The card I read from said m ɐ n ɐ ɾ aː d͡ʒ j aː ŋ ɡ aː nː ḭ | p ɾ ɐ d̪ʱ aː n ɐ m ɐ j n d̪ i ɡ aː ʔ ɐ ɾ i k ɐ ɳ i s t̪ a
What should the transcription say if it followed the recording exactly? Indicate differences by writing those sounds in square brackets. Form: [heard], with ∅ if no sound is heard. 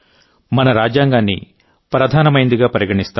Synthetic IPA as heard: m ɐ n ɐ ɾ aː d͡ʒ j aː ŋ ɡ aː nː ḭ | p ɾ ɐ d̪ʱ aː n ɐ m ɐ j n d̪ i ɡ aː [p] ɐ ɾ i [ɡ] ɐ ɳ i s t̪ a